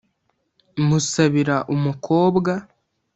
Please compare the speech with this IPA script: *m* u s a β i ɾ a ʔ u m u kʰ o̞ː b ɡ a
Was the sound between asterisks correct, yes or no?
yes